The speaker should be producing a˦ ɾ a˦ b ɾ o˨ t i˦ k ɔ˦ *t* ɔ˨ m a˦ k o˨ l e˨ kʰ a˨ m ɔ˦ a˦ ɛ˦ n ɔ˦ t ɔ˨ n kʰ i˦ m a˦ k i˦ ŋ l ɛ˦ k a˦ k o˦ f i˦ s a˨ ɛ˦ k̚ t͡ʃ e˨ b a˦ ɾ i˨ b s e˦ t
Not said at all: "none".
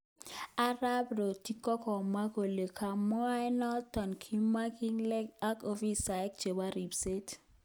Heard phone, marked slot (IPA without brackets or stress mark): k